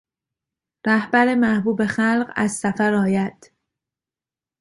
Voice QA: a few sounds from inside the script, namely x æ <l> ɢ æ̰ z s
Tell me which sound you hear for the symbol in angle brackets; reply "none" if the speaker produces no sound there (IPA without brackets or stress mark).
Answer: l